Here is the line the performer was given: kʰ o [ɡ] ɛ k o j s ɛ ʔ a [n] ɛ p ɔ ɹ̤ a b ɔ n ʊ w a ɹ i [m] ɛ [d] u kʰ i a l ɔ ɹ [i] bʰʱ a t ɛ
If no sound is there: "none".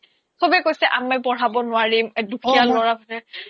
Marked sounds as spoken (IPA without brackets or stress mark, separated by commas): b, m, m, d, a